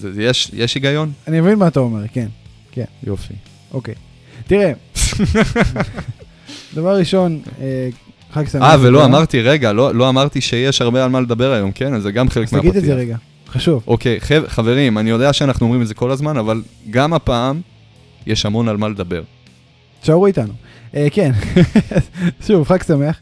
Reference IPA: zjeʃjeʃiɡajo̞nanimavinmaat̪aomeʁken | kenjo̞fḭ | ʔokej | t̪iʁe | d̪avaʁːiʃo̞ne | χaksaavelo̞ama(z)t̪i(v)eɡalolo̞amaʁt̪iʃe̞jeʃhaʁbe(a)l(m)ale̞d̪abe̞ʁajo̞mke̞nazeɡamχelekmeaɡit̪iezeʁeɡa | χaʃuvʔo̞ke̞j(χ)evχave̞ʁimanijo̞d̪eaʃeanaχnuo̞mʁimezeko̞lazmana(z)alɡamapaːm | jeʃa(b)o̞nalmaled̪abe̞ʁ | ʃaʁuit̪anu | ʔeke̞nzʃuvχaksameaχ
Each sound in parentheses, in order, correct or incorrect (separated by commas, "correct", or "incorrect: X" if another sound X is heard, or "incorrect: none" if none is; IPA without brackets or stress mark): incorrect: ʁ, incorrect: ʁ, correct, correct, correct, incorrect: v, incorrect: m